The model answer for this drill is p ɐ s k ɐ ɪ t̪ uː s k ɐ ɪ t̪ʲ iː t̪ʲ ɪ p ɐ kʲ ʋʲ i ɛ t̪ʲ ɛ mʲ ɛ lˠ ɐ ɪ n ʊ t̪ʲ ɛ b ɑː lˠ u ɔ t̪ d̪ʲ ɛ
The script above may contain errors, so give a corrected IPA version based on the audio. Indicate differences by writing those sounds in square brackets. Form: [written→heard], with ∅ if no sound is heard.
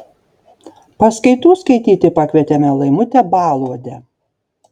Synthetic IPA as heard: p ɐ s k ɐ ɪ t̪ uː s k ɐ ɪ t̪ʲ iː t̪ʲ ɪ p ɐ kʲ ʋʲ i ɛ t̪ʲ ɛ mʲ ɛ lˠ ɐ ɪ [n→m] ʊ t̪ʲ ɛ b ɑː lˠ u ɔ [t̪→∅] d̪ʲ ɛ